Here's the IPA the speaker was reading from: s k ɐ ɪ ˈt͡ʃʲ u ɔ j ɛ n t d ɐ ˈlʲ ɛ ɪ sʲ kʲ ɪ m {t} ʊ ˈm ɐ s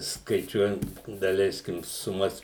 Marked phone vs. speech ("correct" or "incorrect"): incorrect